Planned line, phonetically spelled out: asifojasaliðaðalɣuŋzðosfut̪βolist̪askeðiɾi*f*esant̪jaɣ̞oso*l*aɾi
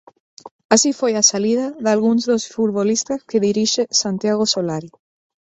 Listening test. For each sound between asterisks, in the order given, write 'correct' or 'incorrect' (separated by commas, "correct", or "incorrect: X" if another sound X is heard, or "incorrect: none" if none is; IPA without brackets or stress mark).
incorrect: ʃ, correct